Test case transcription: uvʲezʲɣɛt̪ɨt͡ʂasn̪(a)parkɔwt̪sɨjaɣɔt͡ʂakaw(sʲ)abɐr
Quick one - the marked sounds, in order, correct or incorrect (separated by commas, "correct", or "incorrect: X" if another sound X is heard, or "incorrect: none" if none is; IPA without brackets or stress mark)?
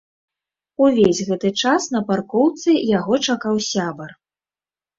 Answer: incorrect: ɐ, correct